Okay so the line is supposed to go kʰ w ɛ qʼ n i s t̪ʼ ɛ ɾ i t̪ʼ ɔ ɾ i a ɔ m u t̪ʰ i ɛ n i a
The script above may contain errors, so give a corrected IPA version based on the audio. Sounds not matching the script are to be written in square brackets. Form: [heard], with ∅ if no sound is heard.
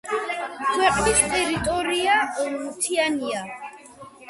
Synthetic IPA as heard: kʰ w ɛ qʼ n i s t̪ʼ ɛ ɾ i t̪ʼ ɔ ɾ i a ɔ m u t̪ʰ i [a] n i a